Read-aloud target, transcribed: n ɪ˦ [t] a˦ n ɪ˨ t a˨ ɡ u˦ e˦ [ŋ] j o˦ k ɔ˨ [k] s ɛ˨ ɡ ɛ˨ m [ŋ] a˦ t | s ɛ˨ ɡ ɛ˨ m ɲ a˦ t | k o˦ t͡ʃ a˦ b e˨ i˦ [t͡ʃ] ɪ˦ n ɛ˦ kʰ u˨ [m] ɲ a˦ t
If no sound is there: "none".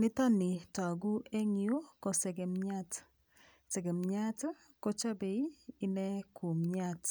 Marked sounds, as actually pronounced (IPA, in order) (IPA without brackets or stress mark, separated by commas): t, ŋ, none, ɲ, none, m